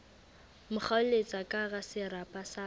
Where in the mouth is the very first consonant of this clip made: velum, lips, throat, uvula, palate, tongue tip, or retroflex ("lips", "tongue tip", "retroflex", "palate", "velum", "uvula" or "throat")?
lips